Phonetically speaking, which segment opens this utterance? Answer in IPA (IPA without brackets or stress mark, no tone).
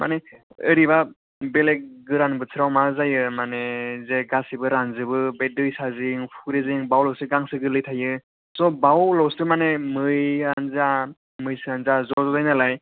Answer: m